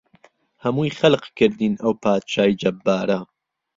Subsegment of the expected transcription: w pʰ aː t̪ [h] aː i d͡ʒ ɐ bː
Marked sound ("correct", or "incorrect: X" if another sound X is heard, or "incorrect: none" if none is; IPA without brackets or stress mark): incorrect: ʃ